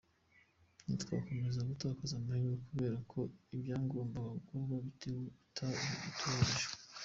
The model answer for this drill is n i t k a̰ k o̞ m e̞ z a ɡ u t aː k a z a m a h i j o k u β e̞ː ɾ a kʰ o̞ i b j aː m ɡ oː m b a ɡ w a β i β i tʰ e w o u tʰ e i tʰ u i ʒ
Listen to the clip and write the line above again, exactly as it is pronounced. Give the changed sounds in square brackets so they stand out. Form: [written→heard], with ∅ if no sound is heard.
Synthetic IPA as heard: n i t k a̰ k o̞ m e̞ z a ɡ u t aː k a z a m a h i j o k u β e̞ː ɾ a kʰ o̞ i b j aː [m→ŋ] ɡ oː m b a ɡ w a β [i→a] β i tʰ e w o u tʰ [e→a] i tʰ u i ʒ